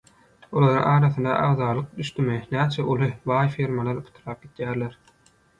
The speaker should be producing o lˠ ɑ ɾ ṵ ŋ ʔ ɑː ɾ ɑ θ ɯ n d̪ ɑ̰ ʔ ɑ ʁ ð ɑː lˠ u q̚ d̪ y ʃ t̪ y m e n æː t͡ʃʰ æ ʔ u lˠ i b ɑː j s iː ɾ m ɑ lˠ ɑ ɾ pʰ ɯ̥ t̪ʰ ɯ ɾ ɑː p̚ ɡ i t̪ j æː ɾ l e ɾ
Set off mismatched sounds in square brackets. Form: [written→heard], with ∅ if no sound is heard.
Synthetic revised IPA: o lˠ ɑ ɾ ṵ ŋ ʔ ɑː ɾ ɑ θ ɯ n d̪ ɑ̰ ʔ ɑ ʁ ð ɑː lˠ [u→ɯ] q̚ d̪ y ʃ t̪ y m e n æː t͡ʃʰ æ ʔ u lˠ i b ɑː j [s→f] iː ɾ m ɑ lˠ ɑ ɾ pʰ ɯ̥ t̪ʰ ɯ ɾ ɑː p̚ ɡ i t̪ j æː ɾ l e ɾ